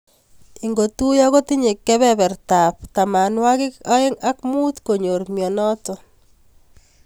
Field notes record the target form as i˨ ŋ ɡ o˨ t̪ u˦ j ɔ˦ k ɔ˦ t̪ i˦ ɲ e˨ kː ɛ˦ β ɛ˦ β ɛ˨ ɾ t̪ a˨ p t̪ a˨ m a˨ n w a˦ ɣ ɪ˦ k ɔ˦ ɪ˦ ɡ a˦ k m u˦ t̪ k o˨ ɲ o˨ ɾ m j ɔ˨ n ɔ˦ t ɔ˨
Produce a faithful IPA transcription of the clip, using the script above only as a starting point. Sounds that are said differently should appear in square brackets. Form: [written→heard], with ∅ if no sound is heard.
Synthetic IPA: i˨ ŋ ɡ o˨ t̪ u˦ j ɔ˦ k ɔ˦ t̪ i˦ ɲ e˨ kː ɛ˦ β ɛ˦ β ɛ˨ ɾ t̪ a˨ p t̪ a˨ m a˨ n w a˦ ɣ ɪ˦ k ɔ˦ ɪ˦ [ɡ→ŋ] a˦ k m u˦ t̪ k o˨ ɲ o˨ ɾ m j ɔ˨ n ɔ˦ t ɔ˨